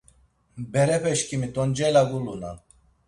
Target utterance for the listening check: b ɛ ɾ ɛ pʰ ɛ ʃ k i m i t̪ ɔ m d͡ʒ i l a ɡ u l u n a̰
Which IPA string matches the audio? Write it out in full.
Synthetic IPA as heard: b ɛ ɾ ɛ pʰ ɛ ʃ k i m i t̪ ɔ n d͡ʒ ɛ l a ɡ u l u n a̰